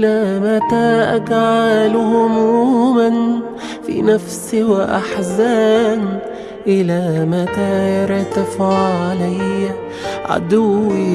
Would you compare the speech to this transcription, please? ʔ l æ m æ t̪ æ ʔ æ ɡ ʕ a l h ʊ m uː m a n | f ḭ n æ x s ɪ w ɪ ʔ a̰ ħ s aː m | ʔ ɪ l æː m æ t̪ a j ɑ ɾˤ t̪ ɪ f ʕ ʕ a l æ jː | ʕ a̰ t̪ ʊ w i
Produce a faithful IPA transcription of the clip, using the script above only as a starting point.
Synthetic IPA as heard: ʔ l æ m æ t̪ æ ʔ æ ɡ ʕ a l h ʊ m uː m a n | f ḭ n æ f s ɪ w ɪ ʔ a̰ ħ z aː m | ʔ ɪ l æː m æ t̪ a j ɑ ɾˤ t̪ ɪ f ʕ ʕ a l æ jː | ʕ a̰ d̪ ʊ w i